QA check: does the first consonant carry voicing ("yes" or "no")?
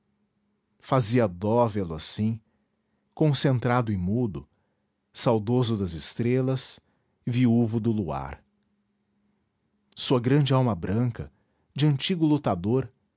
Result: no